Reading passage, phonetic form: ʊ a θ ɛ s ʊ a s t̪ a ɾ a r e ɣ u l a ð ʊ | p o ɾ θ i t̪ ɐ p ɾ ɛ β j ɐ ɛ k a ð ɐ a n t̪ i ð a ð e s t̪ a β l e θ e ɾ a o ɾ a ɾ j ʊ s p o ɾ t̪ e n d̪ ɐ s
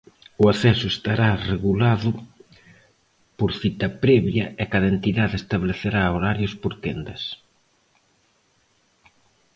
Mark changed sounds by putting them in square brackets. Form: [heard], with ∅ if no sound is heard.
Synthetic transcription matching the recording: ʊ a θ ɛ s ʊ [e] s t̪ a ɾ a r e ɣ u l a ð ʊ | p o ɾ θ i t̪ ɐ p ɾ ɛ β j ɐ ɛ k a ð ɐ [e] n t̪ i ð a ð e s t̪ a β l e θ e ɾ a o ɾ a ɾ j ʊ s p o ɾ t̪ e n d̪ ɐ s